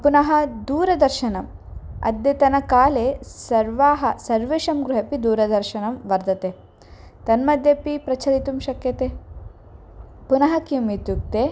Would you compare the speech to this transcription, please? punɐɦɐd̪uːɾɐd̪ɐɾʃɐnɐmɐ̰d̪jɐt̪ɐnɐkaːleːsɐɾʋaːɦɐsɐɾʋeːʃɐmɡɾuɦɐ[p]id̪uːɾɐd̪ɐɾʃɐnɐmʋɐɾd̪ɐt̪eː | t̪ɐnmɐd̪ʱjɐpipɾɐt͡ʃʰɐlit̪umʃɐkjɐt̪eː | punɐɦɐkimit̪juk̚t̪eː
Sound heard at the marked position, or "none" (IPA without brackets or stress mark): p